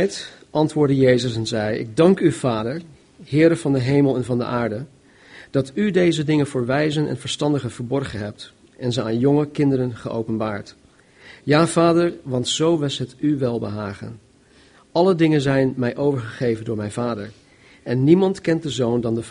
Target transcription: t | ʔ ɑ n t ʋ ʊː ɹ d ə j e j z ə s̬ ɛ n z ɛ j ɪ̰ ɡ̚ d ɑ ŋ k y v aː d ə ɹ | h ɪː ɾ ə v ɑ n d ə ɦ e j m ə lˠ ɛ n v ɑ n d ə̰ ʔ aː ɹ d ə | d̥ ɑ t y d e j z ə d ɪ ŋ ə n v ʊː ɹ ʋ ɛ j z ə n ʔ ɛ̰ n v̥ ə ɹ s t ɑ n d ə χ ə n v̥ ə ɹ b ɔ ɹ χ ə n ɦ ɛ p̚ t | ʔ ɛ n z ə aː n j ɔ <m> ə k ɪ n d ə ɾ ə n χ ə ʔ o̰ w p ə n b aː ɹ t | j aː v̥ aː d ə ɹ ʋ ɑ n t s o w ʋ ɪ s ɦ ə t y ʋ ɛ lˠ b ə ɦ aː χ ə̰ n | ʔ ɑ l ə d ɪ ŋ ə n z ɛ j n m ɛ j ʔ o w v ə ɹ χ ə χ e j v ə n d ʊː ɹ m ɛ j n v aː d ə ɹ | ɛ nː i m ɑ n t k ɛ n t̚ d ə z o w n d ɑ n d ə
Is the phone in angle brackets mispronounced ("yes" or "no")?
yes